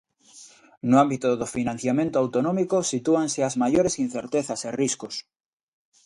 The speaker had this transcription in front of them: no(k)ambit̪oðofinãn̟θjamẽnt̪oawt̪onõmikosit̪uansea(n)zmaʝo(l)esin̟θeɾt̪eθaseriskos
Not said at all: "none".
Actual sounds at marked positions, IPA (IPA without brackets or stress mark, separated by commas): none, none, ɾ